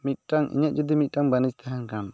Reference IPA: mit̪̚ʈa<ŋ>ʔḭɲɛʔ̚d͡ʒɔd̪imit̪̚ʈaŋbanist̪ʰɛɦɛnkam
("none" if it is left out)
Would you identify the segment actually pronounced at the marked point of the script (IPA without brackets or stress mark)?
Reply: ŋ